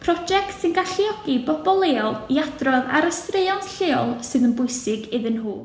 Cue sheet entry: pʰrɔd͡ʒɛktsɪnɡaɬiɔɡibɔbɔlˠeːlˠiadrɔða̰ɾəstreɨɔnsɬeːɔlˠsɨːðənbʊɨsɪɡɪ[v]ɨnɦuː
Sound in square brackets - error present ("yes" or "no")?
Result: yes